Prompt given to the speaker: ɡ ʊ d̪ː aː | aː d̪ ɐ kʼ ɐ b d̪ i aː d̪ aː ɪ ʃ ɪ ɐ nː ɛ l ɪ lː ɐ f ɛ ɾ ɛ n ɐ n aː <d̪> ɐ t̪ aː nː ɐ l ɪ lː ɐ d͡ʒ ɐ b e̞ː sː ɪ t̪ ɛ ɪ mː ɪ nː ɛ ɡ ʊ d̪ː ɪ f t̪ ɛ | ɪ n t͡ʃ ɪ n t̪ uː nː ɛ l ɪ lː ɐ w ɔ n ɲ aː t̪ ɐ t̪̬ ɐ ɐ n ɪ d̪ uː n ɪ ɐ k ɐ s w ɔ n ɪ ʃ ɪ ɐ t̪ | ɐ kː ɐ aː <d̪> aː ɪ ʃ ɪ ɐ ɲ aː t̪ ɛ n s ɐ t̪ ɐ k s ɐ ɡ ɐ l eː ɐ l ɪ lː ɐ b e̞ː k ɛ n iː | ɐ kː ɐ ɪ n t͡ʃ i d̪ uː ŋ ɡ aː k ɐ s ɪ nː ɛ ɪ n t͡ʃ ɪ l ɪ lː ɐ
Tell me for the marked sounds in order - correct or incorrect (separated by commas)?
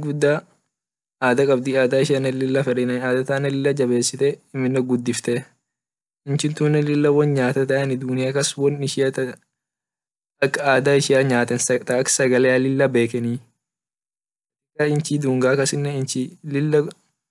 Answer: correct, correct